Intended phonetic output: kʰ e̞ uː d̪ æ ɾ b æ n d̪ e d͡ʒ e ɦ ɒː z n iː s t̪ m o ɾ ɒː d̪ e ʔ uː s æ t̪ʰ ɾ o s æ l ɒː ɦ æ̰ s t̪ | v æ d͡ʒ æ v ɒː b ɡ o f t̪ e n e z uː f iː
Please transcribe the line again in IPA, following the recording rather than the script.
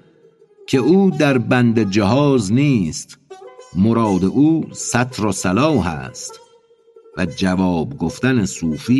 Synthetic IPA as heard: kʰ e̞ uː d̪ æ ɾ b æ n d̪ e d͡ʒ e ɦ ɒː z n iː s t̪ m o ɾ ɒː d̪ e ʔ uː s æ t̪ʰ ɾ o s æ l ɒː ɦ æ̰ s t̪ | v æ d͡ʒ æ v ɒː b ɡ o f t̪ æ n e s uː f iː